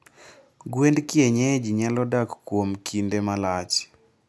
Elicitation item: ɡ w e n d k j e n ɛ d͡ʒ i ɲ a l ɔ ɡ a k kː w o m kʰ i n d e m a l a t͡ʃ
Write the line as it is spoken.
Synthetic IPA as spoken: ɡ w e n d k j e ɲ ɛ d͡ʒ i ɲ a l ɔ d a k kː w o m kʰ i n d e m a l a t͡ʃ

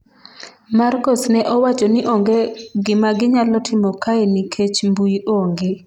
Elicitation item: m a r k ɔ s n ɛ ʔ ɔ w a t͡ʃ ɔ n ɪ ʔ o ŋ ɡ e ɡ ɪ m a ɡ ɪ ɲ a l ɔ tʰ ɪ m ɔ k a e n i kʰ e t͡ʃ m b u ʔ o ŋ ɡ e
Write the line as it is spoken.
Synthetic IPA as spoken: m a r k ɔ s n ɛ ʔ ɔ w a t͡ʃ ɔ n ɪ ʔ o ŋ ɡ e ɡ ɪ m a ɡ ɪ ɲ a l ɔ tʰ ɪ m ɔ k a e n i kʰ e t͡ʃ m b u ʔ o ŋ ɡ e

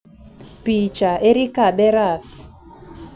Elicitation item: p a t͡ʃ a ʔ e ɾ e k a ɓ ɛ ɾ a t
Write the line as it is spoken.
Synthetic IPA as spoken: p i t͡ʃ a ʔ e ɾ i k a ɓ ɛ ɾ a s

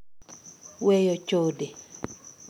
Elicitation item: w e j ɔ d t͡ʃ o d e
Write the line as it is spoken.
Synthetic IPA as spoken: w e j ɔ t͡ʃ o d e

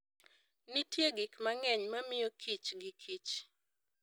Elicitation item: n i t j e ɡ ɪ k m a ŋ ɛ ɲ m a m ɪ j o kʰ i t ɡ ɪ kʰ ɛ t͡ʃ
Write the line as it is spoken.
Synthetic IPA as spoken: n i t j e ɡ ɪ k m a ŋ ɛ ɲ m a m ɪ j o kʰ i t͡ʃ ɡ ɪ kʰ i t͡ʃ

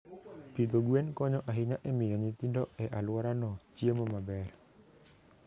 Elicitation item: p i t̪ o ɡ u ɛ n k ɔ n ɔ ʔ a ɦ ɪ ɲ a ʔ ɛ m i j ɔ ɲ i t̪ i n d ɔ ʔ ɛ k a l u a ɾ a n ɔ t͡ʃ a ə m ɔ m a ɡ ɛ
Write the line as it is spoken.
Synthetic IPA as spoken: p i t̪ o ɡ u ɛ n k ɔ ɲ ɔ ʔ a ɦ i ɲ a ʔ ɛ m i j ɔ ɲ i t̪ i n d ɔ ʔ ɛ ʔ a l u a ɾ a n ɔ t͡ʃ i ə m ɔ m a b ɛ

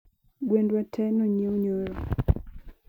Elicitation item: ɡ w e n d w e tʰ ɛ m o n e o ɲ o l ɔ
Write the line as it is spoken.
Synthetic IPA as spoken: ɡ w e n d w a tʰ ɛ n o ɲ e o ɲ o ɾ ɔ

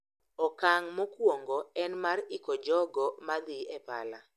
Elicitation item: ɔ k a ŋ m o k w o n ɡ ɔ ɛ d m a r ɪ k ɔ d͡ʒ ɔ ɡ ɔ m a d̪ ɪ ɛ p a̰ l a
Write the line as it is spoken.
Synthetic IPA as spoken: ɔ k a ŋ m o k w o ŋ ɡ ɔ ɛ n m a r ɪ k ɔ d͡ʒ ɔ ɡ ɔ m a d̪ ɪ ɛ p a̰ l a

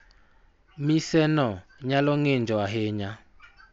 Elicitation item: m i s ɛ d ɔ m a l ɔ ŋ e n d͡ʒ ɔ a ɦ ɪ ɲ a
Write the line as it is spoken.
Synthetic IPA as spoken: m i s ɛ n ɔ ɲ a l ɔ ŋ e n d͡ʒ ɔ a ɦ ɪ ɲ a

